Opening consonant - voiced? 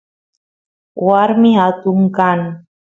yes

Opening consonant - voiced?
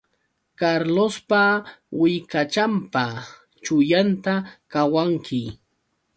no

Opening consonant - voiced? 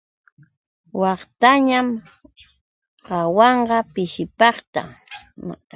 yes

